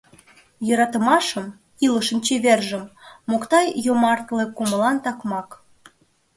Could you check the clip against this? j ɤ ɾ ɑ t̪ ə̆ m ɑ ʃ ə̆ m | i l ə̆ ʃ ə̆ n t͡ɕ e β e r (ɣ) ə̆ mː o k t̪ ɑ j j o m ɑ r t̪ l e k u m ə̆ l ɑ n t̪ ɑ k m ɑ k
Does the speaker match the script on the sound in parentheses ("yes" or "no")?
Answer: no